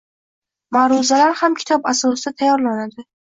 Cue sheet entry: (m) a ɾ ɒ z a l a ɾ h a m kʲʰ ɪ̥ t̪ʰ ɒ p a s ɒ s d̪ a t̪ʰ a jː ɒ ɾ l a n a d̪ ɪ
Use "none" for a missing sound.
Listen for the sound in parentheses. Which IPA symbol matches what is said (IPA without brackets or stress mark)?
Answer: m